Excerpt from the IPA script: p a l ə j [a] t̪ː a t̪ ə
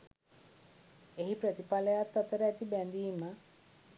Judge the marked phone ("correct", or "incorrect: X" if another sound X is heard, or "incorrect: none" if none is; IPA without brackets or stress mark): correct